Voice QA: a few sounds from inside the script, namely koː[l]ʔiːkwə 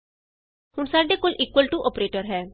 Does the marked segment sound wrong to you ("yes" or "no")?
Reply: no